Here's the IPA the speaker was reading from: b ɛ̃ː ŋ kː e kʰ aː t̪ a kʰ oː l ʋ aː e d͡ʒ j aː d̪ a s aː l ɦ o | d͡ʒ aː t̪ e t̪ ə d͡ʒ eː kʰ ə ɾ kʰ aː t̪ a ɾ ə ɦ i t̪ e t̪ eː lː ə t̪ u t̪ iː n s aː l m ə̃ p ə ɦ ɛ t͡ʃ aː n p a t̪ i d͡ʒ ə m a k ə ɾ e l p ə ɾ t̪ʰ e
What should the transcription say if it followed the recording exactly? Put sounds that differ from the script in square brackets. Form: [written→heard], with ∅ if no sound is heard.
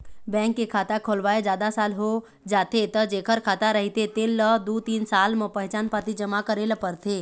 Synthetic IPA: b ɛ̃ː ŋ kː e kʰ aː t̪ a kʰ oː l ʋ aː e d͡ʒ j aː d̪ a s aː l ɦ o | d͡ʒ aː t̪ e t̪ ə d͡ʒ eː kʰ ə ɾ kʰ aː t̪ a ɾ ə ɦ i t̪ e t̪ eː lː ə [t̪→d̪] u t̪ iː n s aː l m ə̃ p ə ɦ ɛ t͡ʃ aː n p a t̪ i d͡ʒ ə m a k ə ɾ e l p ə ɾ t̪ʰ e